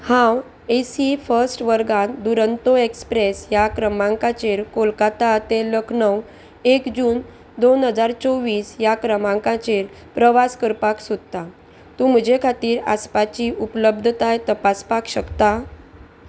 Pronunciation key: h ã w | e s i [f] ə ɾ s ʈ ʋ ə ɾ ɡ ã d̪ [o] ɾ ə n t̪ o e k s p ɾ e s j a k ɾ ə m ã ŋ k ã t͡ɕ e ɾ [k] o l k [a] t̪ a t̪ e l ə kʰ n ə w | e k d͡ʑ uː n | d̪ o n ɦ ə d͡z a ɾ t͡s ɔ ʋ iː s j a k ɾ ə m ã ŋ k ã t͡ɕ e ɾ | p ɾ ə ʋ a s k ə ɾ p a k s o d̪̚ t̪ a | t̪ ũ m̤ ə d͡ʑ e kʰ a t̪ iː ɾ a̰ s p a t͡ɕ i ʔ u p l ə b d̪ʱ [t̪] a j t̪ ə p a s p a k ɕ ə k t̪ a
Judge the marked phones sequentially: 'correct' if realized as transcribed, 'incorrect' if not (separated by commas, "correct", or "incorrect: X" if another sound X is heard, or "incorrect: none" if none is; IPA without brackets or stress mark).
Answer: correct, incorrect: u, correct, correct, correct